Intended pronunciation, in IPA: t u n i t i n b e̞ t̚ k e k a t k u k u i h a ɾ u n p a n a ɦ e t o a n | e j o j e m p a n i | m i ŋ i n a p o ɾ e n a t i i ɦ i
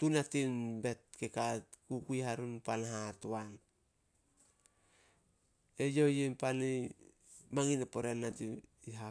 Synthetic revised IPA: t u n a t i n b e̞ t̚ k e k a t k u k u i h a ɾ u n p a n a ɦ a t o a n | e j o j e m p a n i | m a ŋ i n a p o ɾ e n a t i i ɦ a